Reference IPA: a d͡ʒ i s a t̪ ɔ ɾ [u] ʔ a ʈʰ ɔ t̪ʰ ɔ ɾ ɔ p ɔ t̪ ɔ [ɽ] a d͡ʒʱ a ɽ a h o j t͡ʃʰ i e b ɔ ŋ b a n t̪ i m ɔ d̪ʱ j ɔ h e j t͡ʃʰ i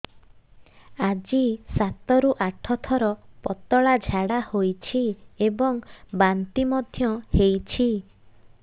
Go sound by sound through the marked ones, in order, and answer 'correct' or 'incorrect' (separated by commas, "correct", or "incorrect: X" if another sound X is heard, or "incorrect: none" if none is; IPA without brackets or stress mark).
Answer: correct, incorrect: ɭ